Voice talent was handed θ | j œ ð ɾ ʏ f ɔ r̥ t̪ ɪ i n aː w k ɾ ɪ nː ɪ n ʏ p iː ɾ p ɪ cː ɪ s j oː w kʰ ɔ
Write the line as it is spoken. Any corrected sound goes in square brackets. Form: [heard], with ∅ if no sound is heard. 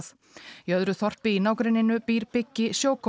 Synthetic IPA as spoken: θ | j œ ð ɾ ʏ [θ] ɔ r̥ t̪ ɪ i n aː w k ɾ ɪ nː ɪ n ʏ p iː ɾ p ɪ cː ɪ s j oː w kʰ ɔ